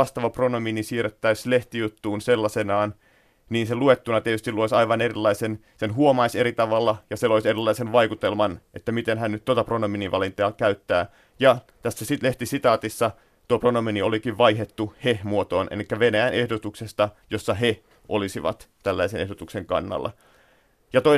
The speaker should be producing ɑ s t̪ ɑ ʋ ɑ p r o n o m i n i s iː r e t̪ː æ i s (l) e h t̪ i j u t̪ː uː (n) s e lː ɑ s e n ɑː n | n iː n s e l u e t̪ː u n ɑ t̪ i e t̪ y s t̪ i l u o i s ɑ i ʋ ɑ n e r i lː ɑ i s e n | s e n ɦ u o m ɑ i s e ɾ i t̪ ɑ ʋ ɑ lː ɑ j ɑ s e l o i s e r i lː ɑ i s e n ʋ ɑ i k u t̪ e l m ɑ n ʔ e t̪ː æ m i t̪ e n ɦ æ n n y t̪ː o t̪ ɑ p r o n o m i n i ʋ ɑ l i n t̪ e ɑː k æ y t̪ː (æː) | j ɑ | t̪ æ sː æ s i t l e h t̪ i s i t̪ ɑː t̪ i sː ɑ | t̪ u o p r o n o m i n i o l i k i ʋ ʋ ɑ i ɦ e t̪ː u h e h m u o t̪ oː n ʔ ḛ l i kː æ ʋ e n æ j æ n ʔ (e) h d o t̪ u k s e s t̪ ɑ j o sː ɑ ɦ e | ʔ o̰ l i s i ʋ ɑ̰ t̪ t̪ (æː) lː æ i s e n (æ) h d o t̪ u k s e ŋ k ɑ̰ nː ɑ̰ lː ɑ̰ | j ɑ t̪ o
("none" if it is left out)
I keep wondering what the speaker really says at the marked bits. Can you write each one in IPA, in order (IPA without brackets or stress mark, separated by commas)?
l, n, æː, e, æ, e